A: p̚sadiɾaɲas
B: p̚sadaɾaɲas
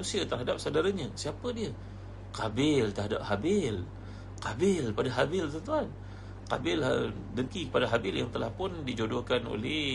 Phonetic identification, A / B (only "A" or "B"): B